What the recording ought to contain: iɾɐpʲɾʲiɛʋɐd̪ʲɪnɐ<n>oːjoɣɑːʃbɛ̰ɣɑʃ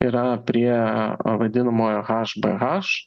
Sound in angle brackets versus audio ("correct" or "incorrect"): incorrect